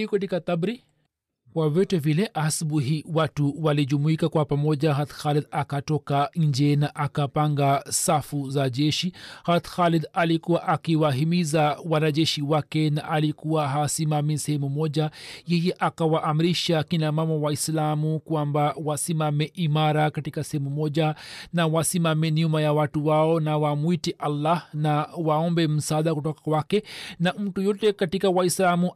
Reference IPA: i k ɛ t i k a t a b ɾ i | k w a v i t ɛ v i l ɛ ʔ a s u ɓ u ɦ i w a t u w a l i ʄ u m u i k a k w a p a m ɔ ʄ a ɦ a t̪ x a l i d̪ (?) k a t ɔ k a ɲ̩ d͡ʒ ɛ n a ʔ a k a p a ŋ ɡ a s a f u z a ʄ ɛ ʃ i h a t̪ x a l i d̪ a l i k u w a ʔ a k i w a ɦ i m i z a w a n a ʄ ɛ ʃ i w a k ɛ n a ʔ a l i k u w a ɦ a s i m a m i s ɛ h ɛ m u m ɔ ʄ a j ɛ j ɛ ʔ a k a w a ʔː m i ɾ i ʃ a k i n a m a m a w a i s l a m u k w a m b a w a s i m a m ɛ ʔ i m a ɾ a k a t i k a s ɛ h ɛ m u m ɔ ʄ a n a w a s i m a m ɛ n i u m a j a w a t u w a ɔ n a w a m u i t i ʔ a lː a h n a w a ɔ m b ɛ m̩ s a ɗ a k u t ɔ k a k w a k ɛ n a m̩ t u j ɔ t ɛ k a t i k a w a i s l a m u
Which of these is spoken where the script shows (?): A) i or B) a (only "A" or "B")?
B